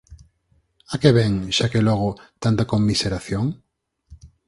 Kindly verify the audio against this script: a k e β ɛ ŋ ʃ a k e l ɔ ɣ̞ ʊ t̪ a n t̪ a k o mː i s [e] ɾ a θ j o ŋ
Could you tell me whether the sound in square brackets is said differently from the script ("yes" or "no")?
no